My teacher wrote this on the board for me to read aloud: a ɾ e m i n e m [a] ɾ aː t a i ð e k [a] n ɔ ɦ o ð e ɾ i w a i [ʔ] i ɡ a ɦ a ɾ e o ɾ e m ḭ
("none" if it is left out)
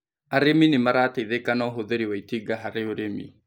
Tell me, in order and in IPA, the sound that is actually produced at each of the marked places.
a, a, t

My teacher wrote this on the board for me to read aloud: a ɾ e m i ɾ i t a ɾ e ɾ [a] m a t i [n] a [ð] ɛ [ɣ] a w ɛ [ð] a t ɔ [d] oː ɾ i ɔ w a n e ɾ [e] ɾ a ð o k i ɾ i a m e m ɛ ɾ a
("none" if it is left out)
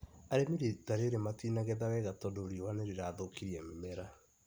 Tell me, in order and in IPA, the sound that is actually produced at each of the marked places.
e, n, ɣ, ð, ɣ, d, e

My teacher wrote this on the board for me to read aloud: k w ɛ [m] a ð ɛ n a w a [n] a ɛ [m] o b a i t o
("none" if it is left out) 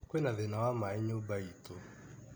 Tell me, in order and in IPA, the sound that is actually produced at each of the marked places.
n, m, ɲ

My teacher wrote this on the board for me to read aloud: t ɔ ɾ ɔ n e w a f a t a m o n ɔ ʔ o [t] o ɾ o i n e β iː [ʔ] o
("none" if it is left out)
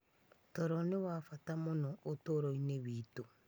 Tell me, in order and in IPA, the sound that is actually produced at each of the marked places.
t, t

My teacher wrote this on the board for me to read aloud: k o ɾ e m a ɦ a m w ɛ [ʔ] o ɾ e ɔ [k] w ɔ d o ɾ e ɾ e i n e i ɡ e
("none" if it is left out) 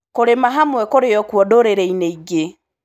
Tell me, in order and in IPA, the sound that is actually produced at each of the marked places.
k, k

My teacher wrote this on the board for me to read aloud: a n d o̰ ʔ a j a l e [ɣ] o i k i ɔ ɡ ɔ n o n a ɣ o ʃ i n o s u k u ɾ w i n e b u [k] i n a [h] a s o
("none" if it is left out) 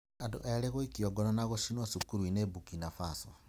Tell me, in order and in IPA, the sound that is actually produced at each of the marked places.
ɣ, k, f

